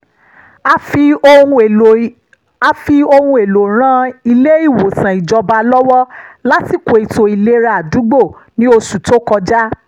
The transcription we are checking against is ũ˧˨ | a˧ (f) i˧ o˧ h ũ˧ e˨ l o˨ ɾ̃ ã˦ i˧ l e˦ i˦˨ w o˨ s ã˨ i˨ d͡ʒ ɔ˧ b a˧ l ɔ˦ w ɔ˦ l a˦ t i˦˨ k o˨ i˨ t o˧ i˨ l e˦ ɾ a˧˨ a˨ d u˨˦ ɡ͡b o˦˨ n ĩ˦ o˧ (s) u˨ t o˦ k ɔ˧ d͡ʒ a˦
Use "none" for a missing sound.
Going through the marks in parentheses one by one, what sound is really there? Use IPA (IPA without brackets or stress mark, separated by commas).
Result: f, s